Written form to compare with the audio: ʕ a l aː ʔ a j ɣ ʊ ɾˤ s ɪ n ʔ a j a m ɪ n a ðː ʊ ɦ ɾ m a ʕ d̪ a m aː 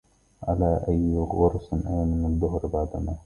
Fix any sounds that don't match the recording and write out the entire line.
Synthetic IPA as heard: ʕ a l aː ʔ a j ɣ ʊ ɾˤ s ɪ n ʔ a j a m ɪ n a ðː ʊ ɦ ɾ b a ʕ d̪ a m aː